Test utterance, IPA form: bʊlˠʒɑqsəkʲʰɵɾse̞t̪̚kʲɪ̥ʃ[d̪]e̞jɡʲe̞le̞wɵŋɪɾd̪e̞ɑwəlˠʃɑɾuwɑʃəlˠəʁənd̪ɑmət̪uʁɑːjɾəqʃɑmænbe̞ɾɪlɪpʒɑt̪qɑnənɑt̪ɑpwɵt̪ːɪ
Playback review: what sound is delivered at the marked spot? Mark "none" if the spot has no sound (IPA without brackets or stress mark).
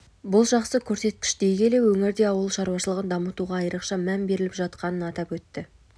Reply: d̪